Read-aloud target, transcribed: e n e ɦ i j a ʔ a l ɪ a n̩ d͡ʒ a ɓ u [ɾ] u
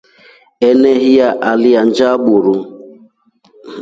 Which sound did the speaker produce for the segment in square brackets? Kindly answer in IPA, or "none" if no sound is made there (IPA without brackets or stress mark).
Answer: ɾ